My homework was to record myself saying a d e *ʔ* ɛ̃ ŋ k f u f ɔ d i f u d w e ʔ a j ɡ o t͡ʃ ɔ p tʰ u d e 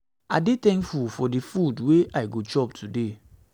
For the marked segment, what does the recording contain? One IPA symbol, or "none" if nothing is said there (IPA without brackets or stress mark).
t